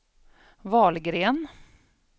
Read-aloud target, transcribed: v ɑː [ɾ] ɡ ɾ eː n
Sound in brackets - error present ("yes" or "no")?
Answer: yes